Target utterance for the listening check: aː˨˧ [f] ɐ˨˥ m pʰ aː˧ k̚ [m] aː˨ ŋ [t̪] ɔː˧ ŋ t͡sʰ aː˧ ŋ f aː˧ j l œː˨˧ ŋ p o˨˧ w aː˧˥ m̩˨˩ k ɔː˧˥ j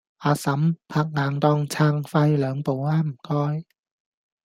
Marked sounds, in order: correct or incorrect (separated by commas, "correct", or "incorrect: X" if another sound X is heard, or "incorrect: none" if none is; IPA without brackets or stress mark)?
incorrect: s, incorrect: ŋ, correct